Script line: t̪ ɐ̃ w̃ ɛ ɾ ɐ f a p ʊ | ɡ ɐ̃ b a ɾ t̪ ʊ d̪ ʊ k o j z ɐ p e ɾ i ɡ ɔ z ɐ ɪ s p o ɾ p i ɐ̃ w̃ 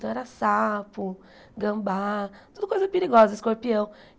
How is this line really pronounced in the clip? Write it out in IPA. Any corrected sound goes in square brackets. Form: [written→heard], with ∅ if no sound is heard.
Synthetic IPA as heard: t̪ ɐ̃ w̃ ɛ ɾ ɐ [f→s] a p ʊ | ɡ ɐ̃ b a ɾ t̪ [ʊ→u] d̪ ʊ k o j z ɐ p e ɾ i ɡ ɔ z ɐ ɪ s [p→k] o ɾ p i ɐ̃ w̃